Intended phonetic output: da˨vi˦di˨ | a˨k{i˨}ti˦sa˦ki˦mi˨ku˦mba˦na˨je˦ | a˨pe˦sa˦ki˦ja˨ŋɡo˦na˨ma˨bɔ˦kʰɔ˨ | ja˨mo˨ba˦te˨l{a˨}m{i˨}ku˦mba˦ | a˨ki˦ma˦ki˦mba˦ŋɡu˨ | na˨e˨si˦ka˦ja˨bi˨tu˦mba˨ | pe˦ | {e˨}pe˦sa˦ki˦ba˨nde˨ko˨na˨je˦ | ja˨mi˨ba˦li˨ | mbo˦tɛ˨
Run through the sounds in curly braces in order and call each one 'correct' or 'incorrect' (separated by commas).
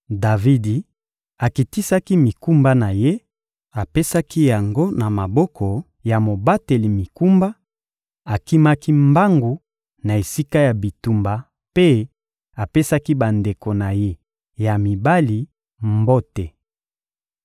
correct, incorrect, correct, incorrect